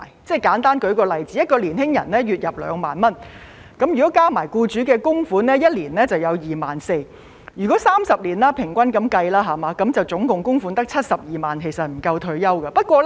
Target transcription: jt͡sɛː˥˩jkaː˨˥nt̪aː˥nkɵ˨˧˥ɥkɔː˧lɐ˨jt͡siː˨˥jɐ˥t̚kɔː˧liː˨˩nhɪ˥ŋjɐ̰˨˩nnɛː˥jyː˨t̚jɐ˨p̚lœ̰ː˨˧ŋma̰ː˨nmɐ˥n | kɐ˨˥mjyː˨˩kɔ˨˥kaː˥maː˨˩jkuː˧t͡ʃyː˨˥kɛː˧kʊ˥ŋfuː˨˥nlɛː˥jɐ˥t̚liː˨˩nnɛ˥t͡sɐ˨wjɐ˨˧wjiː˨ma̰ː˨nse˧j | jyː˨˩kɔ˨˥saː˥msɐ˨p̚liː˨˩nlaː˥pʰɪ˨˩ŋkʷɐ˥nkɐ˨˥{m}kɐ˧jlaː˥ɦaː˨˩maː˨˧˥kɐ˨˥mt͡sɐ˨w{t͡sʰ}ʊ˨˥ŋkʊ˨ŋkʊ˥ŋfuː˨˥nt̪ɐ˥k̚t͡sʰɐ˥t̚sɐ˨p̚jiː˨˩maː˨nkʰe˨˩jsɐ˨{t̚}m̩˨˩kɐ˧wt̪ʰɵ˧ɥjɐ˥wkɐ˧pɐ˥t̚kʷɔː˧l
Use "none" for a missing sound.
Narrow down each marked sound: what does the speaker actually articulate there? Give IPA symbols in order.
m, t͡s, t̚

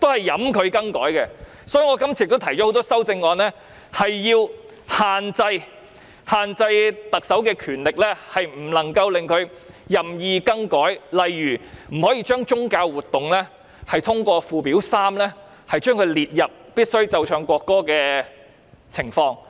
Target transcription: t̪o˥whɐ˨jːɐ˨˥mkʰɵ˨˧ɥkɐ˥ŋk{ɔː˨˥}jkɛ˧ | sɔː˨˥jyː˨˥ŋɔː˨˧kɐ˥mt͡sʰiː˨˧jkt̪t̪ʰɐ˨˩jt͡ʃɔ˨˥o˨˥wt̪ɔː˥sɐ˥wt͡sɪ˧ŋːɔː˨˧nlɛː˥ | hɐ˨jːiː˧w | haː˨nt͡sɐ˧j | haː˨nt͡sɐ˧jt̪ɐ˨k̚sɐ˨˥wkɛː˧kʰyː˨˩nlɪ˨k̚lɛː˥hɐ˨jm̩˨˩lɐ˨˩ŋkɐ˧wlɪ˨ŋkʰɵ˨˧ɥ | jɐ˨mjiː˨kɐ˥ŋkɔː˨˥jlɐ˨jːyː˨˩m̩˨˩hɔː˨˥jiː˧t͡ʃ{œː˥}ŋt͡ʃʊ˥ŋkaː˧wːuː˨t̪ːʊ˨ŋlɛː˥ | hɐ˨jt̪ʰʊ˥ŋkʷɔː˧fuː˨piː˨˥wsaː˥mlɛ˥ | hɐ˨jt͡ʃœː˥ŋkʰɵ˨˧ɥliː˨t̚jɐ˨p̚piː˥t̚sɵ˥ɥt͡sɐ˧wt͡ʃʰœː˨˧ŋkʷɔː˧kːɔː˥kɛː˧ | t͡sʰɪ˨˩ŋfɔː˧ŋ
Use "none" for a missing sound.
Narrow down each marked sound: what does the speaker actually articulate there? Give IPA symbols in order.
ɔː˨˥, œː˥

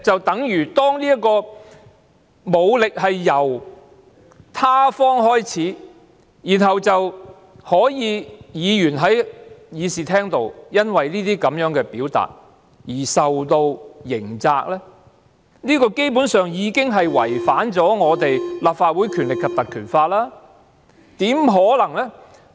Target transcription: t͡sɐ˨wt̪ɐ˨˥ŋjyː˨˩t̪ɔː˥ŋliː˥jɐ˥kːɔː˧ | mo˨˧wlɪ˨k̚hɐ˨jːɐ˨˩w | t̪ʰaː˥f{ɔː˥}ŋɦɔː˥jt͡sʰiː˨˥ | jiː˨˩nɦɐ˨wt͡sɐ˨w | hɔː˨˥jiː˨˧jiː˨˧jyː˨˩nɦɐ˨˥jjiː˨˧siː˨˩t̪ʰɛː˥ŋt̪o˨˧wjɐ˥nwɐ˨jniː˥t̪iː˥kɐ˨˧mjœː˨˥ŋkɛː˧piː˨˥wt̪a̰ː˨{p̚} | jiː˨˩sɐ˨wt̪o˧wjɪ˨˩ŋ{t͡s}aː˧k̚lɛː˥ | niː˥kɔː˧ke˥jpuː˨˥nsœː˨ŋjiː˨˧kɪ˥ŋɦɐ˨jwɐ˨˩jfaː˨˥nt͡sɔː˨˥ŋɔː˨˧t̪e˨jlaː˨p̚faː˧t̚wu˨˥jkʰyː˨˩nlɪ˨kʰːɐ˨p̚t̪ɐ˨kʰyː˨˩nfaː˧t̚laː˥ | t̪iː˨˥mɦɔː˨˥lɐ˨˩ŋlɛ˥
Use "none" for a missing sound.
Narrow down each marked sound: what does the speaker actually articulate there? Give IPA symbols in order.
ɔː˥, t̚, t͡s

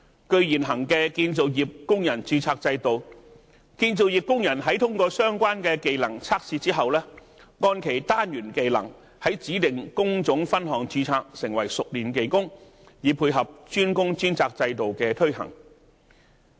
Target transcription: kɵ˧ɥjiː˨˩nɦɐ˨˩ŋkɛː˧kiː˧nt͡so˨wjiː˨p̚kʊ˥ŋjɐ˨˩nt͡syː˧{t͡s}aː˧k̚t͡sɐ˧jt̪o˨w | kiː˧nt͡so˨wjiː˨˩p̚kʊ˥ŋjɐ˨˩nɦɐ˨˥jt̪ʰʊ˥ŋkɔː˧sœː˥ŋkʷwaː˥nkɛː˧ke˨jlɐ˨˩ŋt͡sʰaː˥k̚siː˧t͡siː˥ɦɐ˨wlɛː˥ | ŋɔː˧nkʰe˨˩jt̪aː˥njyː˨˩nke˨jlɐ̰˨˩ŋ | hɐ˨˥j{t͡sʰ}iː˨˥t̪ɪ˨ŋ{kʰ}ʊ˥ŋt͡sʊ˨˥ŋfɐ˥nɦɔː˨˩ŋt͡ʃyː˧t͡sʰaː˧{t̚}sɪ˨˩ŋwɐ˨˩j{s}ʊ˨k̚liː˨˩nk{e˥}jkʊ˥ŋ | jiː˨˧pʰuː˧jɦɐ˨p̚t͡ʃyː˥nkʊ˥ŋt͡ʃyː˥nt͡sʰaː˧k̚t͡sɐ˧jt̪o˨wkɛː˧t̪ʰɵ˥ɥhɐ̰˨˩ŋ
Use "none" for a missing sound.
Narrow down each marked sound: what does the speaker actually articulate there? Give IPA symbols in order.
t͡sʰ, t͡s, k, k̚, s, e˨˩

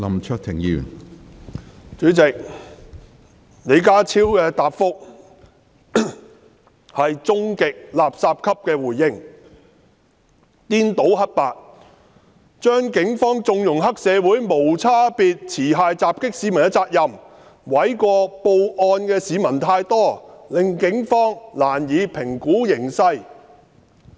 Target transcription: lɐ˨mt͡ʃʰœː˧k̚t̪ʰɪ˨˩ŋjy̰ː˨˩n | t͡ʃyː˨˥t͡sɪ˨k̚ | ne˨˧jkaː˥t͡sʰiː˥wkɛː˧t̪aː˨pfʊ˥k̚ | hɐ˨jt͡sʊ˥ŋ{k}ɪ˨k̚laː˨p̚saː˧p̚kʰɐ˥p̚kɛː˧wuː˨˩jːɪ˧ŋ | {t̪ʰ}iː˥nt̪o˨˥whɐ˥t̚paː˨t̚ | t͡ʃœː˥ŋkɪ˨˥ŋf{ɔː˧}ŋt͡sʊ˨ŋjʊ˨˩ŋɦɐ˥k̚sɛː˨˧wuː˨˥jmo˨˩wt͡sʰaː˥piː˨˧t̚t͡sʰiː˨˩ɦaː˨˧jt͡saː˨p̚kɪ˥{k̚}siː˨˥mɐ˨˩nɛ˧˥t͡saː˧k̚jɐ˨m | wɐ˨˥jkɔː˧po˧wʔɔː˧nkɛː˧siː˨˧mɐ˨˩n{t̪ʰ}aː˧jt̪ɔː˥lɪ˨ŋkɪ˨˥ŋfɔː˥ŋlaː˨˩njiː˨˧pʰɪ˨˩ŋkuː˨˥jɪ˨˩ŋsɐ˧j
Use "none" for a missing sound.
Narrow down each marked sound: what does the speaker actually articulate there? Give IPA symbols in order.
k, t̪, ɔː˥, k̚, t̪ʰ

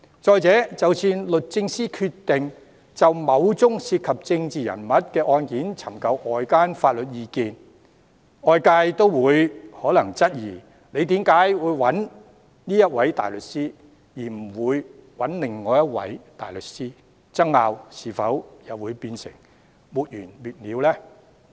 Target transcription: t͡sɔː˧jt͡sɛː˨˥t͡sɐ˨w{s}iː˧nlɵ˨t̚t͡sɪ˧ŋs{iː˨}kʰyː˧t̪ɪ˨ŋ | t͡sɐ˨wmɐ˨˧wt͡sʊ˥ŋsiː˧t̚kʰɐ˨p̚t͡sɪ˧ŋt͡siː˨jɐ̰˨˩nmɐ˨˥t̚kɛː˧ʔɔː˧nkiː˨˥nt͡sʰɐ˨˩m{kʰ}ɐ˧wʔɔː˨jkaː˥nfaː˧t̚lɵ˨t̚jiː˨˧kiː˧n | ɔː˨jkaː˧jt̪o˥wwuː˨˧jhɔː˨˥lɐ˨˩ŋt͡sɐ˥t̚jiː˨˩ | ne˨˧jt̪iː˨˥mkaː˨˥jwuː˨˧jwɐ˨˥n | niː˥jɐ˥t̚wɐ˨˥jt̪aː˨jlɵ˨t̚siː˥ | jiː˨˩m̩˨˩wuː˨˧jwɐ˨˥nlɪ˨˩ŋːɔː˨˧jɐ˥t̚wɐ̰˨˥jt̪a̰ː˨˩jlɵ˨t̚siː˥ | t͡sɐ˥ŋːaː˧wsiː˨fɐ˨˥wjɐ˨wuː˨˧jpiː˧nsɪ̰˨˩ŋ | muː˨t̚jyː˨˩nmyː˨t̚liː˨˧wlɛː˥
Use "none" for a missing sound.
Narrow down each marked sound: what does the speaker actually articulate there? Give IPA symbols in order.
s, iː˥, k

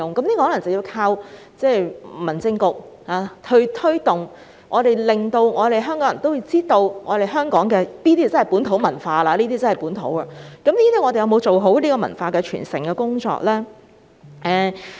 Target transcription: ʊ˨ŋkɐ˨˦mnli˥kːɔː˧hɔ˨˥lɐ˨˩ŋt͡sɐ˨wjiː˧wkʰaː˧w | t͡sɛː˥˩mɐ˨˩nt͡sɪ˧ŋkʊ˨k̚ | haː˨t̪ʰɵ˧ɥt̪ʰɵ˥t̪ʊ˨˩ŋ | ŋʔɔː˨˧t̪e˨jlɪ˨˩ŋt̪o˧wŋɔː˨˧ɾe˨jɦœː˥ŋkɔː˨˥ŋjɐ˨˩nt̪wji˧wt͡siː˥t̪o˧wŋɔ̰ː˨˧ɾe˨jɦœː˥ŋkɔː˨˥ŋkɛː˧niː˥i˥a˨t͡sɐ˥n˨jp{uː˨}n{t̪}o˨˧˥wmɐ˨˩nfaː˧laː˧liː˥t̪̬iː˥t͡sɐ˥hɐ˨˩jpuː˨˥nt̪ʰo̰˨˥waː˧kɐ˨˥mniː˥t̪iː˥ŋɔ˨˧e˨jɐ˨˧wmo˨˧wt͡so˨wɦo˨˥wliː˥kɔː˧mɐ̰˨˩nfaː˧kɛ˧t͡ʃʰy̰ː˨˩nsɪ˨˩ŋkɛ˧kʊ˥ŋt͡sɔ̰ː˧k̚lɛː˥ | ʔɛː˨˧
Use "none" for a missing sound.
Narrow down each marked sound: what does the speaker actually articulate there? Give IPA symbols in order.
uː˨˥, t̪ʰ

